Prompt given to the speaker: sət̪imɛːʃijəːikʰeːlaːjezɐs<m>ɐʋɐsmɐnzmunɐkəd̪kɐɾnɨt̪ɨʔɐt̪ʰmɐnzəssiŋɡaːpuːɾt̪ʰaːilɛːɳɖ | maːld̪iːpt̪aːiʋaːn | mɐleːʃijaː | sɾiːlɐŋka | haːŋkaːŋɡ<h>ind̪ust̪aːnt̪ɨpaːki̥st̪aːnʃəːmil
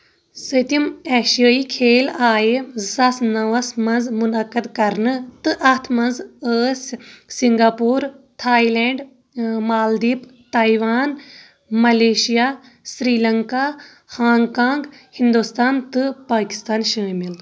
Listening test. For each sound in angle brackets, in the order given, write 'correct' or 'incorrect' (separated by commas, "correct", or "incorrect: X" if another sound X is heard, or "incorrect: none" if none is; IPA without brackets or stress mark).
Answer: incorrect: n, correct